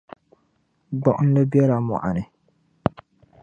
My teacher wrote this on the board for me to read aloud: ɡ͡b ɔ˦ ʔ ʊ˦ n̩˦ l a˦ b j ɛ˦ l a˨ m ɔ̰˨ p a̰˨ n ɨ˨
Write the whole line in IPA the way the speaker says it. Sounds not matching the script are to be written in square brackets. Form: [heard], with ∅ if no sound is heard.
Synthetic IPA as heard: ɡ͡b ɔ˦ ʔ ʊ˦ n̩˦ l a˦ b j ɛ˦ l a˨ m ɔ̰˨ [ʔ] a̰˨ n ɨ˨